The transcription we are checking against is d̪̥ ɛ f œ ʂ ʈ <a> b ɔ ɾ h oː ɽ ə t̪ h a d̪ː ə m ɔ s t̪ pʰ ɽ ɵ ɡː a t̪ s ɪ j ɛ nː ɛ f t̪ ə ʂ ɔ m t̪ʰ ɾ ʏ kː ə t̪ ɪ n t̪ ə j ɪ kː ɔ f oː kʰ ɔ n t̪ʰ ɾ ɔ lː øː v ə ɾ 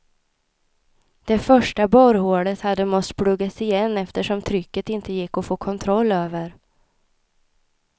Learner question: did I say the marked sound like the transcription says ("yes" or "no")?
yes